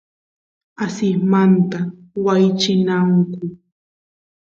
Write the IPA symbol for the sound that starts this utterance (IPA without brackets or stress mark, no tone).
a